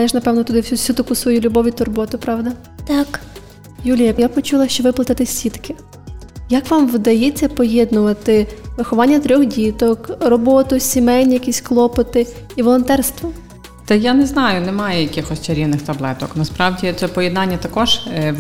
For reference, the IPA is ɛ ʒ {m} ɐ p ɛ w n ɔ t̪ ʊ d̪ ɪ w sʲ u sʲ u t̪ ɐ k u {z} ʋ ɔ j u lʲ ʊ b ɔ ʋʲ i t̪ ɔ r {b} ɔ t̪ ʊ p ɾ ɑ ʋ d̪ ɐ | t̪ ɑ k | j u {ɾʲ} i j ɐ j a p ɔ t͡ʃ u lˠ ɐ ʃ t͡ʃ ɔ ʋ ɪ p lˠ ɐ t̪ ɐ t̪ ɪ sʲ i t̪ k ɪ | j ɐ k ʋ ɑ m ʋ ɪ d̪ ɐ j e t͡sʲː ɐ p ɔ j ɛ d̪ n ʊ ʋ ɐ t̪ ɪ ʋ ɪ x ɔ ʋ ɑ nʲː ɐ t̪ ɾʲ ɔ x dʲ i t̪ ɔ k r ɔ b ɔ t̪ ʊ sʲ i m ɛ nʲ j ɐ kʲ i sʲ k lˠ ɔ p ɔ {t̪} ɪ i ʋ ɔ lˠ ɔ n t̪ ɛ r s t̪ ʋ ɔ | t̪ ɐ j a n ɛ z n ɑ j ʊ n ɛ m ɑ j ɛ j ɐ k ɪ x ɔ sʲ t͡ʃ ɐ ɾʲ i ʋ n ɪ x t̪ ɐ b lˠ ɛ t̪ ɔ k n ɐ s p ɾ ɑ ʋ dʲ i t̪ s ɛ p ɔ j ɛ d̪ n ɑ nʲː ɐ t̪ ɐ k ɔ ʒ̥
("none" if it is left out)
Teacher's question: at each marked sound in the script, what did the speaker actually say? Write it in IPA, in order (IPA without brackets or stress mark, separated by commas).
n, s, b, lʲ, t̪